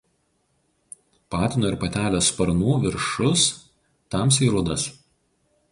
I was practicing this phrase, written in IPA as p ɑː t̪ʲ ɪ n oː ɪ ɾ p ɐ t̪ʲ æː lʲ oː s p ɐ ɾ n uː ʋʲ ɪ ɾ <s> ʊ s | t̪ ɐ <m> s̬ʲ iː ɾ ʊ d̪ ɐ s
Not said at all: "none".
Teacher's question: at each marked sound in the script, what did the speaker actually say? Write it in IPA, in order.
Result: ʃ, m

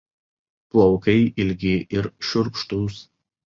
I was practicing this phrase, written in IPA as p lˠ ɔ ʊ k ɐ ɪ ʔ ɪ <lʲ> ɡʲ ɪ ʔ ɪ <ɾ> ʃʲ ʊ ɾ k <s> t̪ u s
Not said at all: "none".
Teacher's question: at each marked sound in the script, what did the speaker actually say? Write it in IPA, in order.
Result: lʲ, ɾ, ʃ

